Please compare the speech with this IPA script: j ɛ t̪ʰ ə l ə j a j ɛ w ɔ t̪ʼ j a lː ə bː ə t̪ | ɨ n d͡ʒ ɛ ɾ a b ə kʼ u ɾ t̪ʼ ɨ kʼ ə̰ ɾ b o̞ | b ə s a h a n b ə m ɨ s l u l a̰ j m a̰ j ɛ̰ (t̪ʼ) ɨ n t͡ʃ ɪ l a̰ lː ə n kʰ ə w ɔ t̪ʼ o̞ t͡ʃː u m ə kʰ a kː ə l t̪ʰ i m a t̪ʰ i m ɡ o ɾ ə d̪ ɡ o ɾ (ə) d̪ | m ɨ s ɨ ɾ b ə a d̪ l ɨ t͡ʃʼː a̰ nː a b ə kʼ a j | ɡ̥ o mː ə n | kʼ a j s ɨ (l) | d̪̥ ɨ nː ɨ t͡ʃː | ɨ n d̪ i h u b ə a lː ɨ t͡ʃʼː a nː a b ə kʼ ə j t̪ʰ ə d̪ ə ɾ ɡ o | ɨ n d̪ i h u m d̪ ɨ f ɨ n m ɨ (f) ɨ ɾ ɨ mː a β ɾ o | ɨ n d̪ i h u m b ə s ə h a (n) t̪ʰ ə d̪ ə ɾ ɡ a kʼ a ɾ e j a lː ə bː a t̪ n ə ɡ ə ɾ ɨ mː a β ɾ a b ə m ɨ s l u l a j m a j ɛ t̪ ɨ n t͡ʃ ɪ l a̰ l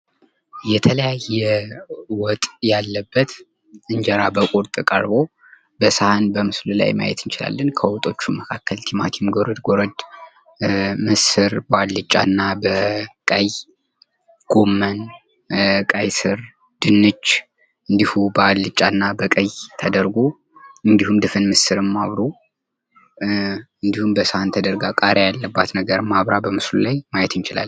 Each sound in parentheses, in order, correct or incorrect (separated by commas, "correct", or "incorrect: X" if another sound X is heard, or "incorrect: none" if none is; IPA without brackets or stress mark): incorrect: t̪, correct, incorrect: ɾ, incorrect: s, correct